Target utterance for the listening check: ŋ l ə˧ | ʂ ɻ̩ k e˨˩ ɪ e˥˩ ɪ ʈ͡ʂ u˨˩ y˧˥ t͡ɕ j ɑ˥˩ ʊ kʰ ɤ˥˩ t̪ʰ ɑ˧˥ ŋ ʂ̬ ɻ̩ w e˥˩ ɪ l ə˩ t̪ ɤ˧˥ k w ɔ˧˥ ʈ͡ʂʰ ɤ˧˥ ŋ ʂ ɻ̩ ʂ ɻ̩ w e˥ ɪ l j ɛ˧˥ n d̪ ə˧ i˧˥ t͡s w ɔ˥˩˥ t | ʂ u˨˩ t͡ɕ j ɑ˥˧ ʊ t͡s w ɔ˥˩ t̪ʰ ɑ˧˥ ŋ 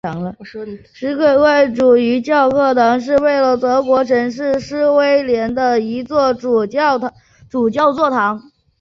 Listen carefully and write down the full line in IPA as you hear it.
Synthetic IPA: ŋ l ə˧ | ʂ ɻ̩ k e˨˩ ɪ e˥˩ ɪ ʈ͡ʂ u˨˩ y˧˥ t͡ɕ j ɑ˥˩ ʊ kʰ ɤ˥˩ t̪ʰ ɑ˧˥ ŋ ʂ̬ ɻ̩ w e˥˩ ɪ l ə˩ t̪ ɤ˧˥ k w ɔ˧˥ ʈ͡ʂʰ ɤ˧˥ ŋ ʂ ɻ̩ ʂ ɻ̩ w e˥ ɪ l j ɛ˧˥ n d̪ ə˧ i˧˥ t͡s w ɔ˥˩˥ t | ʈ͡ʂ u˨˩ t͡ɕ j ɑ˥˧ ʊ t͡s w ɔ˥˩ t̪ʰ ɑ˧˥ ŋ